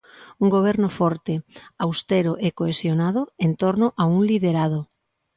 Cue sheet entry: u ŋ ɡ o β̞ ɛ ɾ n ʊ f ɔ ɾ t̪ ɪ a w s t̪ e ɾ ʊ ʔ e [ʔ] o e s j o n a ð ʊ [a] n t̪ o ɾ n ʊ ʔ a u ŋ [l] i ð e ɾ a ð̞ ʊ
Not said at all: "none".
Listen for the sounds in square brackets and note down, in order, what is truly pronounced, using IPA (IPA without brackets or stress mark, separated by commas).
k, e, l